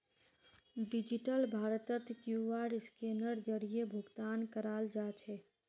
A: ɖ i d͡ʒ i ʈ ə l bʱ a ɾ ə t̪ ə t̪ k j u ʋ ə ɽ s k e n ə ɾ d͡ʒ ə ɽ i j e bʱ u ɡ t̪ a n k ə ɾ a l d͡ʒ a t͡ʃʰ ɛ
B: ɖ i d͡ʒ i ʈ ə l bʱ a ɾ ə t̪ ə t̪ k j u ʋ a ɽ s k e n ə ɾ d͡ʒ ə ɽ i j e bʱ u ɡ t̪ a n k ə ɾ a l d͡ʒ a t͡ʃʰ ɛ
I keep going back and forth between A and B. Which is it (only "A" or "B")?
B